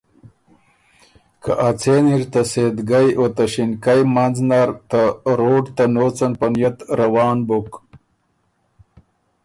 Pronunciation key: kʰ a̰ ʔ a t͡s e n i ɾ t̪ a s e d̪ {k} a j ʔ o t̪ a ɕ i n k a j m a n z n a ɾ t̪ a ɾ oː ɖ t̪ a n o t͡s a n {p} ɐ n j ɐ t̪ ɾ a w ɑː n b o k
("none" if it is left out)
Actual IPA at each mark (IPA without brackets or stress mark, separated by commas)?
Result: ɡ, p